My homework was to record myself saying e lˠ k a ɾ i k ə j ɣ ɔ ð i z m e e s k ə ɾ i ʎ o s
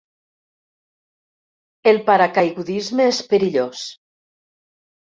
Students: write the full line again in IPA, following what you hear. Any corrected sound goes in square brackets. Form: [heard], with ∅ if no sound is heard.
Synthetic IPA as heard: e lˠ [p] a ɾ [a] k [a] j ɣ [u] ð i z m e e s [p] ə ɾ i ʎ o s